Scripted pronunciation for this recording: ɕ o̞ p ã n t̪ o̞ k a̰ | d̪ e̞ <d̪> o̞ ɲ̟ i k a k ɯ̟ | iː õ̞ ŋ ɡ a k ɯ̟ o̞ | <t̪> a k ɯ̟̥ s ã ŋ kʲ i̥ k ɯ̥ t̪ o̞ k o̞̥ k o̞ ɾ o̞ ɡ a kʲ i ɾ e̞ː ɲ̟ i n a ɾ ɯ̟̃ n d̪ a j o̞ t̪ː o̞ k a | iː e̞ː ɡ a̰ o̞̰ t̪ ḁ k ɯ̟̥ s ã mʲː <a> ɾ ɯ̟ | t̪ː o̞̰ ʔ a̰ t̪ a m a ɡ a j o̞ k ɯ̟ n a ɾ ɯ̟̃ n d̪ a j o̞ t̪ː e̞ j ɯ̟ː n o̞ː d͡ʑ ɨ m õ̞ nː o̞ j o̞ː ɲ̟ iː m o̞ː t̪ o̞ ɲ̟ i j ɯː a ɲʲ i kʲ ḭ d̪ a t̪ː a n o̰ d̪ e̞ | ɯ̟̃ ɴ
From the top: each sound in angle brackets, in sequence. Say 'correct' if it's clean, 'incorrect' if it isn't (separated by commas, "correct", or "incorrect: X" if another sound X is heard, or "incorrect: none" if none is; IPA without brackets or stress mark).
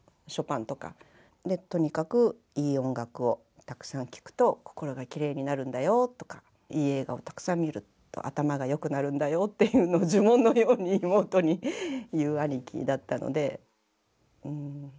incorrect: t̪, correct, incorrect: i